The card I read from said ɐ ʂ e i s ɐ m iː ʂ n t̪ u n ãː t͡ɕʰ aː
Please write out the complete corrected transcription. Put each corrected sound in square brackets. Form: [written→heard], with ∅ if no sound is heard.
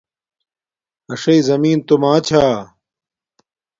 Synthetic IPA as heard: ɐ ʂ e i [s→z] ɐ m iː [ʂ→∅] n t̪ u [n→m] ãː t͡ɕʰ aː